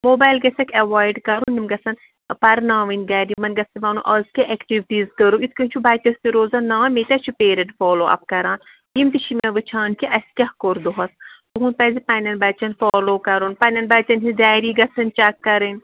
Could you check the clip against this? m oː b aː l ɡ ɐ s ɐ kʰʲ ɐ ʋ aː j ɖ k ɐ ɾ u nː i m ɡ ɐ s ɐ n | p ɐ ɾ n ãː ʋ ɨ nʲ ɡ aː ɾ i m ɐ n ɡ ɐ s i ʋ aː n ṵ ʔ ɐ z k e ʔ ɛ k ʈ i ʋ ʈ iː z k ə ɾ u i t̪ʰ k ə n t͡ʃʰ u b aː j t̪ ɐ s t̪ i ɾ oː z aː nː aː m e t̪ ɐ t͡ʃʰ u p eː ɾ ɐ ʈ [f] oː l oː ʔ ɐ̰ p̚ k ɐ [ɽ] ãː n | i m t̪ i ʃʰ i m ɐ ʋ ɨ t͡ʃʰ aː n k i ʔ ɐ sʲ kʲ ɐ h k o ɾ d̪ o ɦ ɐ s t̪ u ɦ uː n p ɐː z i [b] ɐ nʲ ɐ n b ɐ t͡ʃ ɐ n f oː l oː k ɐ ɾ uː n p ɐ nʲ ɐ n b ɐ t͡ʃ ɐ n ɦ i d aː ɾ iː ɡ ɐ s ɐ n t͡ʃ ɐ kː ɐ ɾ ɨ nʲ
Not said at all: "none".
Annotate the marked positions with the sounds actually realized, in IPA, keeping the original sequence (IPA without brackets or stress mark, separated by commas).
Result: f, ɾ, p